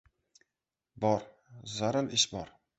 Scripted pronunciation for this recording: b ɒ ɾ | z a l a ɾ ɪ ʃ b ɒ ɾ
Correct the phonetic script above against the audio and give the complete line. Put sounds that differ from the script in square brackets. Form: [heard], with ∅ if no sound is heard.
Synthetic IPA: b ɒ ɾ | z a [ɾ] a [l] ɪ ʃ b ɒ ɾ